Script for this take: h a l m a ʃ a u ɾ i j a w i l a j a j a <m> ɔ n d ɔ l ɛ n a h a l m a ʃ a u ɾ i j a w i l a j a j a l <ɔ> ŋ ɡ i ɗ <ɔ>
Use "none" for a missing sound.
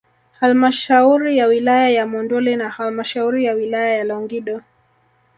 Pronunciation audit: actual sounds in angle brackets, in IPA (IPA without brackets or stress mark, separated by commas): m, ɔ, ɔ